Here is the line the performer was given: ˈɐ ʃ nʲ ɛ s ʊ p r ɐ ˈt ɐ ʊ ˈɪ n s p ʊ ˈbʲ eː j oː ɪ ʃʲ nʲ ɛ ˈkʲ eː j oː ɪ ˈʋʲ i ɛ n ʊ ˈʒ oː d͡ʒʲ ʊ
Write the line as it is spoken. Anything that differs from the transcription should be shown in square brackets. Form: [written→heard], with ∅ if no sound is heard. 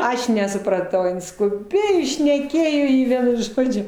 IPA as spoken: ˈɐ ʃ nʲ ɛ s ʊ p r ɐ ˈt ɐ ʊ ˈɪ n s [p→k] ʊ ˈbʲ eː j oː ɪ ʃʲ nʲ ɛ ˈkʲ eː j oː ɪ ˈʋʲ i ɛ n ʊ ˈʒ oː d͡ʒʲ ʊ